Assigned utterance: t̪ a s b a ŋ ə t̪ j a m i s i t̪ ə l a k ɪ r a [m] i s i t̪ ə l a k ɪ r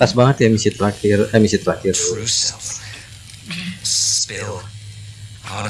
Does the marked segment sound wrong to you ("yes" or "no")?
no